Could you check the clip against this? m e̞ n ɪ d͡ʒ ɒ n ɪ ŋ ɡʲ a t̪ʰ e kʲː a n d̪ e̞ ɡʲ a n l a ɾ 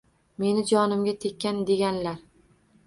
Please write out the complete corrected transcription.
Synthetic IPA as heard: m e̞ n ɪ d͡ʒ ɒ n ɪ m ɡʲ a t̪ʰ e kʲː a n d̪ e̞ ɡʲ a n l a ɾ